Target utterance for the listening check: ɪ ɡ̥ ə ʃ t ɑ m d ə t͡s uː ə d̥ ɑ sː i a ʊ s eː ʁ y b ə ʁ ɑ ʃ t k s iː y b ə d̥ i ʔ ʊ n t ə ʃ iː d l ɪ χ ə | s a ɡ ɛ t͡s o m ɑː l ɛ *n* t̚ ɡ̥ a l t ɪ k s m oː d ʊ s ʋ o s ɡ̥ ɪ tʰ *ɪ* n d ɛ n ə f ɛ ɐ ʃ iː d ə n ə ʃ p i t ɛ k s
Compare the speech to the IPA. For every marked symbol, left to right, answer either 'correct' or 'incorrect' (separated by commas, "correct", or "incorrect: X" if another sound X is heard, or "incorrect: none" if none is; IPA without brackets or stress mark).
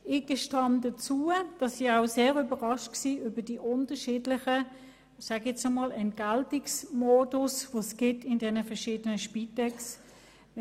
correct, correct